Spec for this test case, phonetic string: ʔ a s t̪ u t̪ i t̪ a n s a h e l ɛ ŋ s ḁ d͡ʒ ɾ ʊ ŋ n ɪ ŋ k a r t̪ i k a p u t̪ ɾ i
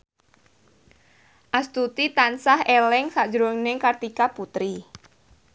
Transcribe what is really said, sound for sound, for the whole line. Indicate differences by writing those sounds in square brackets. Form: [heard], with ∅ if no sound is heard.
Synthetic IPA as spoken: ʔ a s t̪ u t̪ i t̪ a n s a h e l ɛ ŋ s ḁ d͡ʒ ɾ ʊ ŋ n ɪ ŋ k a r t̪ i k a p u t̪ ɾ i